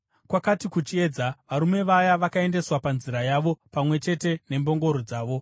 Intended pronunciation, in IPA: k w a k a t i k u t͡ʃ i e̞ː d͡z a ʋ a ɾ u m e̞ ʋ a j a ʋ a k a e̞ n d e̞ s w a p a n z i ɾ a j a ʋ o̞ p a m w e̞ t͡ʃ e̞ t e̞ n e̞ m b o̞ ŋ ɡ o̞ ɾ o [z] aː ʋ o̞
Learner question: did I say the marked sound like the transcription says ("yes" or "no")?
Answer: no